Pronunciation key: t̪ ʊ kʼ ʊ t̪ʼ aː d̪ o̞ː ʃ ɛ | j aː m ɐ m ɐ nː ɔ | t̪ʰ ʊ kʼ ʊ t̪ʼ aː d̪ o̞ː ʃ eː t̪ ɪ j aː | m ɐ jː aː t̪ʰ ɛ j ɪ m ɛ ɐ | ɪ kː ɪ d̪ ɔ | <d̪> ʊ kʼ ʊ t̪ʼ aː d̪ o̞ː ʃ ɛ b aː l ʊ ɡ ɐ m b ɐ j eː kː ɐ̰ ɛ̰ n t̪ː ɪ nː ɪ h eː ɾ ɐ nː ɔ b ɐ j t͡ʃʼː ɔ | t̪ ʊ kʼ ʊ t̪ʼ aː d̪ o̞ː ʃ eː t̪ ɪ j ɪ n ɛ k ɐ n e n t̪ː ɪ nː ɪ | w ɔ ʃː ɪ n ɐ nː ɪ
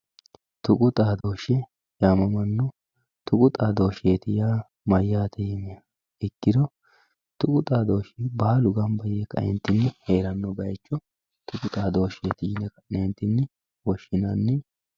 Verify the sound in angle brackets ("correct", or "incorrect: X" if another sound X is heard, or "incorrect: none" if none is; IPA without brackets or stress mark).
incorrect: t̪